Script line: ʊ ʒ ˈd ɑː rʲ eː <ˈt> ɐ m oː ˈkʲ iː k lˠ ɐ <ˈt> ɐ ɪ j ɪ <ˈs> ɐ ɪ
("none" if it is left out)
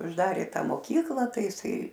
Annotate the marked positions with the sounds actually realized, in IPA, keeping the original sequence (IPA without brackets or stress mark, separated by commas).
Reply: t, t, s